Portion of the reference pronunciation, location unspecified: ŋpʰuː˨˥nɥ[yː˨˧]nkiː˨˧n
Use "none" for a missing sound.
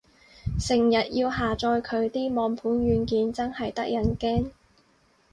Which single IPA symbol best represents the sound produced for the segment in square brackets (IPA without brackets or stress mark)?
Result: yː˨˧